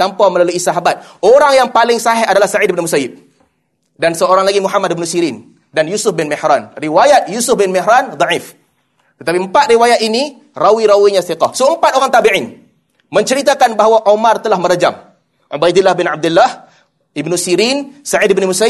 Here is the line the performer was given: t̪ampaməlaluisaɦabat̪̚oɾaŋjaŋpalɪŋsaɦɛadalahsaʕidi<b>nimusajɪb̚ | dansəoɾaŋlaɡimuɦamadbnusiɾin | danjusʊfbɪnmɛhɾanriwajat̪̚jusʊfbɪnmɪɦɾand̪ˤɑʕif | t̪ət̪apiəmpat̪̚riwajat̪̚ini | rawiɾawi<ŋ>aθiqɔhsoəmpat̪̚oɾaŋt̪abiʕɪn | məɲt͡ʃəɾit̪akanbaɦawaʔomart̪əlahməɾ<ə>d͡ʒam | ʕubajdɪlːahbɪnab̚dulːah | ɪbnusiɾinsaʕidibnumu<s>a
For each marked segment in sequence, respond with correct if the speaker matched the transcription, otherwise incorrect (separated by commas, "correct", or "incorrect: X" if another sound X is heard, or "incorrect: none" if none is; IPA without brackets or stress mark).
correct, incorrect: ɲ, correct, correct